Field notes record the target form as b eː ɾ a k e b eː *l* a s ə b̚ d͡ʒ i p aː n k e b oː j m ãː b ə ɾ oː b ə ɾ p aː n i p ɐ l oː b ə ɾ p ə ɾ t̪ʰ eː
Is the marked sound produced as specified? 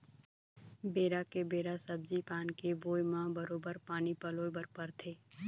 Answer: no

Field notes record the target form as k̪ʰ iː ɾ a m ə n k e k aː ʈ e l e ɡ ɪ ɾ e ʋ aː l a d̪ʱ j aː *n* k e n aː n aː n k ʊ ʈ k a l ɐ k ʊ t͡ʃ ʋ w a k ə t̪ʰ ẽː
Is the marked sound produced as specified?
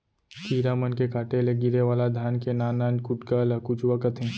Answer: yes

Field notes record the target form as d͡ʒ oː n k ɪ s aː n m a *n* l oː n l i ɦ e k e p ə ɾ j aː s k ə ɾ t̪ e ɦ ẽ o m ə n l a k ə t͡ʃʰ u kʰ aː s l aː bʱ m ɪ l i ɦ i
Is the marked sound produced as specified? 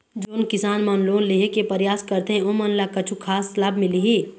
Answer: yes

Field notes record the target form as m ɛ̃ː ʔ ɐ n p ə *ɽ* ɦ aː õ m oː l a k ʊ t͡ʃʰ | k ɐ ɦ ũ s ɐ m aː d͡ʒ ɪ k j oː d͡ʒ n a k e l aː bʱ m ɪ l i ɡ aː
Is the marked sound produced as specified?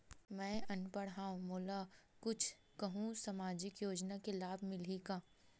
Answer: yes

